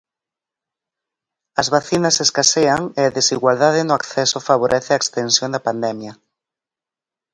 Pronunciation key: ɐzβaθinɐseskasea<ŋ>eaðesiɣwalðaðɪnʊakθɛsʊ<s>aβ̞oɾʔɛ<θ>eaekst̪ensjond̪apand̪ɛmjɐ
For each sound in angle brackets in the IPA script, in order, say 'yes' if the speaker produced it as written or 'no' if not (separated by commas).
yes, no, yes